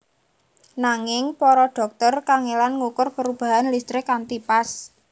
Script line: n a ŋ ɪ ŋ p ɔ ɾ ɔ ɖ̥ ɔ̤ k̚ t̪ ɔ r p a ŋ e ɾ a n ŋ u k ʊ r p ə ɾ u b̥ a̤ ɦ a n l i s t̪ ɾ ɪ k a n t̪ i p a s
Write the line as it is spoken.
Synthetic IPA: n a ŋ ɪ ŋ p ɔ ɾ ɔ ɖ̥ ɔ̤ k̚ t̪ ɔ r k a ŋ e l a n ŋ u k ʊ r p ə ɾ u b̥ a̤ ɦ a n l i s t̪ ɾ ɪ k a n t̪ i p a s

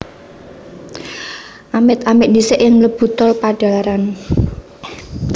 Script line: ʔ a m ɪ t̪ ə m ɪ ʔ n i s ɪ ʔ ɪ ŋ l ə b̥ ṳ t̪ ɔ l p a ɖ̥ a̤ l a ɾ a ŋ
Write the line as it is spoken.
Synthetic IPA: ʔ a m ɪ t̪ a m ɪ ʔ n i s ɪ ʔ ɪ ŋ l ə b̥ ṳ t̪ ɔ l p a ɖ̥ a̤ l a ɾ a n

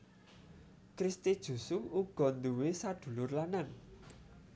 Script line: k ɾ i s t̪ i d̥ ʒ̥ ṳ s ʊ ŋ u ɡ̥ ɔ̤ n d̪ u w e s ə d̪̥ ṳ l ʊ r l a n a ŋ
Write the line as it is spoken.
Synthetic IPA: k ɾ i s t̪ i d̥ ʒ̥ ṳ s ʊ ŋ u ɡ̥ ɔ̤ n d̪ u w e s a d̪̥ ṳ l ʊ r l a n a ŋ

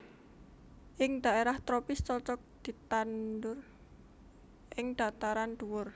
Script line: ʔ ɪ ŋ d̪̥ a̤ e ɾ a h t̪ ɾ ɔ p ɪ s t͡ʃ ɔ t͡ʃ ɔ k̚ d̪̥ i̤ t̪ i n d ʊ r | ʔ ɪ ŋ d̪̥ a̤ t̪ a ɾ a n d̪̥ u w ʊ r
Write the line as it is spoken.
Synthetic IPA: ʔ ɪ ŋ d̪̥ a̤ e ɾ a h t̪ ɾ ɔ p ɪ s t͡ʃ ɔ t͡ʃ ɔ k̚ d̪̥ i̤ t̪ a n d ʊ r | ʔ ɪ ŋ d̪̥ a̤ t̪ a ɾ a n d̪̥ u w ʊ r

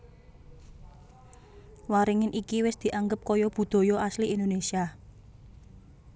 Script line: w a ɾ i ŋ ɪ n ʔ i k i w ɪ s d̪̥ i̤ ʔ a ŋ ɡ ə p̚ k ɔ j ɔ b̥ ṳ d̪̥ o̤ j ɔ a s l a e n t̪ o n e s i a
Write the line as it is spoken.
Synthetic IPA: w a ɾ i ŋ ɪ n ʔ i k i w ɪ s d̪̥ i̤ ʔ a ŋ ɡ ə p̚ k ɔ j ɔ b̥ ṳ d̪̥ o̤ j ɔ a s l i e n d̪ o n e s i a

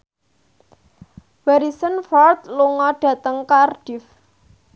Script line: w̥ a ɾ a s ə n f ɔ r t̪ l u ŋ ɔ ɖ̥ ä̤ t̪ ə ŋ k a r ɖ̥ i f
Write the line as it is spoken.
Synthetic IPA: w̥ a ɾ i s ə n f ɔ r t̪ l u ŋ ɔ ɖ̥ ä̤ t̪ ə ŋ k a r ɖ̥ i f

